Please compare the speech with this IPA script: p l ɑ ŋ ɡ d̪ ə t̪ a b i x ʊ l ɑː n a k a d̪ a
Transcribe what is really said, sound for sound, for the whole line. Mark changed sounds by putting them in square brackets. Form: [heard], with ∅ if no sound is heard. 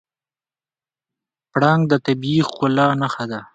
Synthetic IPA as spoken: p [ɽ] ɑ ŋ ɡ d̪ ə t̪ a b i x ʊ l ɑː n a [x] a d̪ a